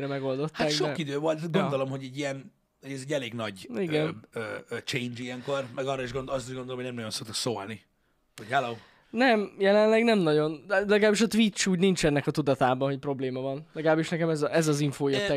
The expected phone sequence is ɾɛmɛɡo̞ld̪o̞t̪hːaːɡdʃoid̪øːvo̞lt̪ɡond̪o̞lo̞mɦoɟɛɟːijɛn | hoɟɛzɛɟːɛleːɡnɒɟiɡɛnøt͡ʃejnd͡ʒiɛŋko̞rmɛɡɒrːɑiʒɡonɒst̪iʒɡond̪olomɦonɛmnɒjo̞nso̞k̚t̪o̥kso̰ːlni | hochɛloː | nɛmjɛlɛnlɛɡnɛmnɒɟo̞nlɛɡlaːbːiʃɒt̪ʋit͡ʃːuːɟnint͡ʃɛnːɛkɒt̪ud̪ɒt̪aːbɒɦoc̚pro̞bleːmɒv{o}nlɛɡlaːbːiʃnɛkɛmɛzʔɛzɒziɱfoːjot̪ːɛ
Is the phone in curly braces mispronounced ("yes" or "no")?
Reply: yes